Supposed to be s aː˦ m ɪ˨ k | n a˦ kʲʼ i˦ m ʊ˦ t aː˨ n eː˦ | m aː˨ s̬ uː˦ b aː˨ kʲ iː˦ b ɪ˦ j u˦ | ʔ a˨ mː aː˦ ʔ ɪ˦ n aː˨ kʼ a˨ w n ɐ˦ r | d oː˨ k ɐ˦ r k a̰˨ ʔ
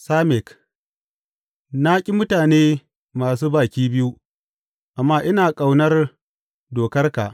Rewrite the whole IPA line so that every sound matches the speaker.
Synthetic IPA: s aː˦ m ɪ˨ k | n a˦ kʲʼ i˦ m ʊ˦ t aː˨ n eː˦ | m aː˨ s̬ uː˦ b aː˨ kʲ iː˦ b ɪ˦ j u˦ | ʔ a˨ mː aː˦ ʔ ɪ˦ n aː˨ kʼ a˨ w n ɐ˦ r | d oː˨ k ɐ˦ r k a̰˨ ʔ